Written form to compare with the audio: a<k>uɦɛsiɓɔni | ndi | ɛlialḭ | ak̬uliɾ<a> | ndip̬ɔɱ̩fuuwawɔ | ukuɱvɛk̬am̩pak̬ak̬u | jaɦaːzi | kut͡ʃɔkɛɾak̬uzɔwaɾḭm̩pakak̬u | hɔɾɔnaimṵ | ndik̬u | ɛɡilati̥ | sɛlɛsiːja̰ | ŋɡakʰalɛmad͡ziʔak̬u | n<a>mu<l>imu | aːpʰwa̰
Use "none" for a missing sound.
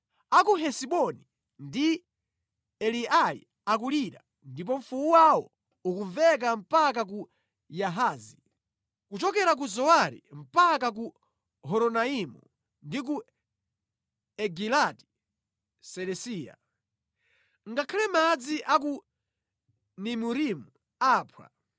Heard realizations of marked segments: k, a, i, ɾ

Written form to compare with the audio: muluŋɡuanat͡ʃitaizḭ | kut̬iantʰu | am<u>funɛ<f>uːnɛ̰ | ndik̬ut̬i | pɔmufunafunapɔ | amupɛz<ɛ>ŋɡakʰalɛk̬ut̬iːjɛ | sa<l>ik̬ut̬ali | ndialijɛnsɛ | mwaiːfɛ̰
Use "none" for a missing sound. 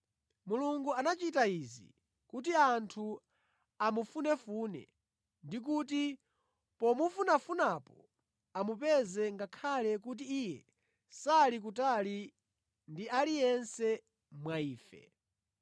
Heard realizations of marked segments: u, f, ɛ, l

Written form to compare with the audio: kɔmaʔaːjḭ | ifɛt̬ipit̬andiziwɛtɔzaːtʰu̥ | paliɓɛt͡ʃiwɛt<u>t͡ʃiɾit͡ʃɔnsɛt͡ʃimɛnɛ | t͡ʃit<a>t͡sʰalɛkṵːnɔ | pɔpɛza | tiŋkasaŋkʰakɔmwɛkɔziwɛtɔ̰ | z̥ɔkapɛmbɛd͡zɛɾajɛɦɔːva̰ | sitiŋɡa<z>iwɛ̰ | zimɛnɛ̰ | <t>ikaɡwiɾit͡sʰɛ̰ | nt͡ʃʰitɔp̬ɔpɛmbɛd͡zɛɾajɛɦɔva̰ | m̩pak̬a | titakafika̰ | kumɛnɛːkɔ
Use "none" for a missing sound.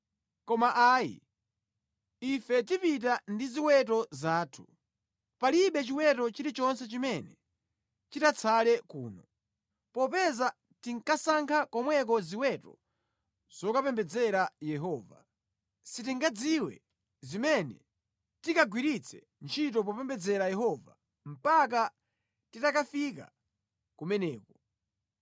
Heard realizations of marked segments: ɔ, a, d͡z, t

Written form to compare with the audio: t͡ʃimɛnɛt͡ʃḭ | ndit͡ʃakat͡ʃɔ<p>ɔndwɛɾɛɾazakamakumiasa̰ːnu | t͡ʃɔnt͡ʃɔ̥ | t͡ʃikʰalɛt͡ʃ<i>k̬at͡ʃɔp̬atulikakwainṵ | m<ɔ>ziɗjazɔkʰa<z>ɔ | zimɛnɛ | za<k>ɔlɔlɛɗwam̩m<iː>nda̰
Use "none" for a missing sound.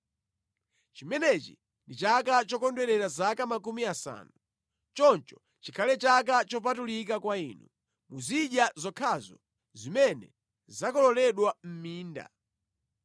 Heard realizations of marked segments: k, a, u, z, k, iː

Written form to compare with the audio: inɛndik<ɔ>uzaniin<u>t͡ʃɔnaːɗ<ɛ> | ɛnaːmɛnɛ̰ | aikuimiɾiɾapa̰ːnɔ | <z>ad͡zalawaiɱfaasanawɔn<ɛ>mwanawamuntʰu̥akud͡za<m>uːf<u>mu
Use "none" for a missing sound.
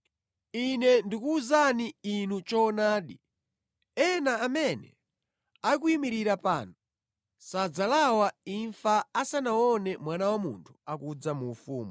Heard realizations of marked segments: u, u, i, s, ɛ, m, uː

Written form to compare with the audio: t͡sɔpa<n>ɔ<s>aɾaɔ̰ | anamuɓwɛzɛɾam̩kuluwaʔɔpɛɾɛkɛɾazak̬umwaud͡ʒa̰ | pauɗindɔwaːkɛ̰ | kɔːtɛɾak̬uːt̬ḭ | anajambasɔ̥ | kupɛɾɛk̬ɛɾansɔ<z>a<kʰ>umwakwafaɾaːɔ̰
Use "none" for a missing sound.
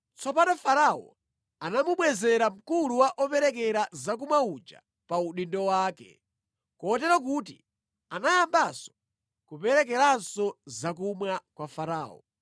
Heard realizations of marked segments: n, f, z, k

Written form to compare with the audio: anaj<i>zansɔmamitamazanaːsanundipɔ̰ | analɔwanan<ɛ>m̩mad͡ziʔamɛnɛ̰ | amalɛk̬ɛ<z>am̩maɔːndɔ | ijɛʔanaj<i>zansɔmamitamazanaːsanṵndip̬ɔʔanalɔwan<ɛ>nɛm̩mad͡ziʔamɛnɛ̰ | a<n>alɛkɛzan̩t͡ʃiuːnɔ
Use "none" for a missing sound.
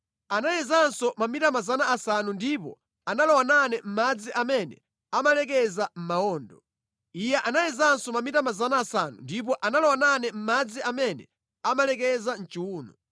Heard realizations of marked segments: ɛ, ɛ, z, ɛ, a, m

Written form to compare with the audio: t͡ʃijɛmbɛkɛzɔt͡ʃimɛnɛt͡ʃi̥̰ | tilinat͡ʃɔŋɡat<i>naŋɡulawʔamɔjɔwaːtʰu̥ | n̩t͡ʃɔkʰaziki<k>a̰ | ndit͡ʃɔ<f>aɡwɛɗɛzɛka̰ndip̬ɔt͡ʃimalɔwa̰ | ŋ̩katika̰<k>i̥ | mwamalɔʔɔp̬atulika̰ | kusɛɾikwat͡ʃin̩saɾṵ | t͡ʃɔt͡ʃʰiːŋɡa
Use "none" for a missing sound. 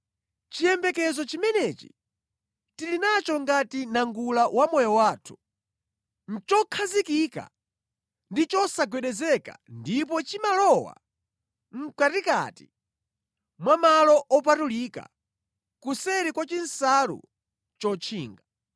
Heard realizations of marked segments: i, k, s, t

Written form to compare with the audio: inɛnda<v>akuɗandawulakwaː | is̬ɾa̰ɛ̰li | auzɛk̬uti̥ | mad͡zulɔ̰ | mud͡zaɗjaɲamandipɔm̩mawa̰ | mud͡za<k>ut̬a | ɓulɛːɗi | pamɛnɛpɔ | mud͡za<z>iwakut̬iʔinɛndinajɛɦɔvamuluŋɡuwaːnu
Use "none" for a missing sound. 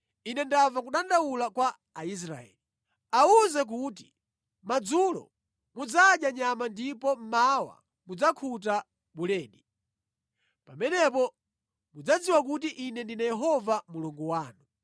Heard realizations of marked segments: v, kʰ, d͡z

